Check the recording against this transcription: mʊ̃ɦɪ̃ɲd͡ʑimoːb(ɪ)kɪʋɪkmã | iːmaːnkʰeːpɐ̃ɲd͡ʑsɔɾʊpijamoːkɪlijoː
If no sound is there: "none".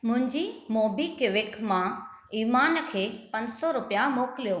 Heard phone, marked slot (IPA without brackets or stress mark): i